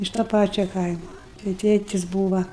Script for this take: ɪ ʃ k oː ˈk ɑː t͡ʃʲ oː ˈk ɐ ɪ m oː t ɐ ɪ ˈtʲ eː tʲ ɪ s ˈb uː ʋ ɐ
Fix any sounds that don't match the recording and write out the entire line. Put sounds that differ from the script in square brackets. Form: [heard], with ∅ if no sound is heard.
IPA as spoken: ɪ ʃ [t] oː [ˈp] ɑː t͡ʃʲ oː ˈk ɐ ɪ m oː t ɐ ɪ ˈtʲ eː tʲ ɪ s ˈb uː ʋ ɐ

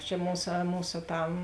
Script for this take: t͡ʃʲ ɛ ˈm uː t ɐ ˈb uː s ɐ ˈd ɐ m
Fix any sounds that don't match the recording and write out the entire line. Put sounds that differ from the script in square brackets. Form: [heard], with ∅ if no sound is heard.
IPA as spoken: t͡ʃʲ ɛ ˈm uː [s] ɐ [ˈm] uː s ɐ [ˈt] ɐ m

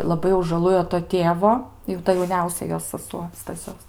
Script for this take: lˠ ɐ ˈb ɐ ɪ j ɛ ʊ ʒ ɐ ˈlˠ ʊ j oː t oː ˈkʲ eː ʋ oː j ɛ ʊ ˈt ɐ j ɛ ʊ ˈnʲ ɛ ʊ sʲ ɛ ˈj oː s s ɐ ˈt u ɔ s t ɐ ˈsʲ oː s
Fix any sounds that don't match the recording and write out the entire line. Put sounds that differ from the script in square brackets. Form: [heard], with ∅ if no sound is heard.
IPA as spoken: lˠ ɐ ˈb ɐ ɪ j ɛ ʊ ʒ ɐ ˈlˠ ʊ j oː t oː [ˈtʲ] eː ʋ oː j ɛ ʊ ˈt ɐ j ɛ ʊ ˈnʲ ɛ ʊ sʲ ɛ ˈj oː s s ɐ [ˈs] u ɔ s t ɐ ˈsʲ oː s

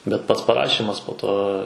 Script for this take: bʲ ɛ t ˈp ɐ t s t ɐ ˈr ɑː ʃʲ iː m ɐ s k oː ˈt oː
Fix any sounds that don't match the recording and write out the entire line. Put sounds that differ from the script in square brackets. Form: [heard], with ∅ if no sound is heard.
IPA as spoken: bʲ ɛ t ˈp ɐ t s [p] ɐ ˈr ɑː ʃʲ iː m ɐ s [p] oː ˈt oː

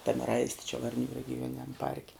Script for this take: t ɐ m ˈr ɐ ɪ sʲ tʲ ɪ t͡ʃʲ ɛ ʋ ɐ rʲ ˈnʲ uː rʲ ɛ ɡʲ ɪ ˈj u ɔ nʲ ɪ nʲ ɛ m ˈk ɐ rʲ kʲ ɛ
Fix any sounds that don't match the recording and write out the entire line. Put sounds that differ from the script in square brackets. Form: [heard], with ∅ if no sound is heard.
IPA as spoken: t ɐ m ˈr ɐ ɪ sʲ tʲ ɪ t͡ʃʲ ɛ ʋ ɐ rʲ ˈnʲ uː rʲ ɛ ɡʲ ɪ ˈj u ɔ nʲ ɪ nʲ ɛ m [ˈp] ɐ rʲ kʲ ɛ

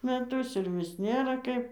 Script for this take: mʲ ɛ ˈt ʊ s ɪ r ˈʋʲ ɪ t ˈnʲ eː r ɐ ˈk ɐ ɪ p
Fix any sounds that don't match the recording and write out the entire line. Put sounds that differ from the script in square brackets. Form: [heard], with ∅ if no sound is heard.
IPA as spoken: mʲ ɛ ˈt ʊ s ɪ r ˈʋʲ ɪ [s] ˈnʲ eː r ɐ ˈk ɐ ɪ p

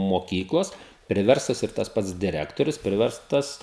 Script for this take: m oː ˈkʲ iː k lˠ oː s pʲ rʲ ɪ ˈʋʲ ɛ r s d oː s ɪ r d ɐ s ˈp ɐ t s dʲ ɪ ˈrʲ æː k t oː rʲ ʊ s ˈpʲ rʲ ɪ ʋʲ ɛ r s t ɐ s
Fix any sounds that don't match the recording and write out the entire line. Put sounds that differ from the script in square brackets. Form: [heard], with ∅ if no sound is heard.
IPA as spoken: m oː ˈkʲ iː k lˠ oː s pʲ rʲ ɪ ˈʋʲ ɛ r s [t] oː s ɪ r [t] ɐ s ˈp ɐ t s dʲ ɪ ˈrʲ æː k t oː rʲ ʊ s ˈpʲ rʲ ɪ ʋʲ ɛ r s t ɐ s

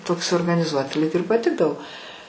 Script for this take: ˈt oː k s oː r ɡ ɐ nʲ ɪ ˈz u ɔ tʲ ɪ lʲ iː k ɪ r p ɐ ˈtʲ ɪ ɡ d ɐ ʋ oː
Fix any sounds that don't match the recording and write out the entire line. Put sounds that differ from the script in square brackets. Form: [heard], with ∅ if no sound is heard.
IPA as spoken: ˈt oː k s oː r ɡ ɐ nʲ ɪ ˈz u ɔ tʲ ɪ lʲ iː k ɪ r p ɐ ˈtʲ ɪ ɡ d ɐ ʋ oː

